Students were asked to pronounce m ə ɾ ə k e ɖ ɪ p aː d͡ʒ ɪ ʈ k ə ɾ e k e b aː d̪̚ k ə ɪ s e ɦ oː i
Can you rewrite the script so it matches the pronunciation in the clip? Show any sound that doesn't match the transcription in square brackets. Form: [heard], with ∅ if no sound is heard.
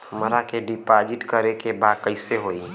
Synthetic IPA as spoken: m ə ɾ [a] k e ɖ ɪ p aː d͡ʒ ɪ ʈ k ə ɾ e k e b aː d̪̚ k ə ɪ s e ɦ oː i